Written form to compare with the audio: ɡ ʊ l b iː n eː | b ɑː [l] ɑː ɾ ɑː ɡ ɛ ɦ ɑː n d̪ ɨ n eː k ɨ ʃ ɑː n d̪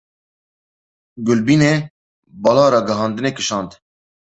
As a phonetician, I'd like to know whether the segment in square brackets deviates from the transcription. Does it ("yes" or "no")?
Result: no